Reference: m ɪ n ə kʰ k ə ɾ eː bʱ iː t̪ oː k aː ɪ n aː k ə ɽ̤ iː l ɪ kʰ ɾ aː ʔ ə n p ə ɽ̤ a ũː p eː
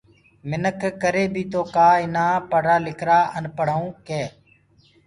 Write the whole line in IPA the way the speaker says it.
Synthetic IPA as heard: m ɪ n ə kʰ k ə ɾ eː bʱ iː t̪ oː k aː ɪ n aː p ə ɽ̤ aː l ɪ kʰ ɾ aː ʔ ə n p ə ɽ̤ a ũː k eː